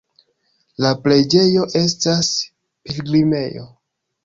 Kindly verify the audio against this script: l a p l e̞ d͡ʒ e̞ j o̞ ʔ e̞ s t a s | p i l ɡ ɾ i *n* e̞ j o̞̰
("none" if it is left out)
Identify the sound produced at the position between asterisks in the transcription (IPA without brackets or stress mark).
m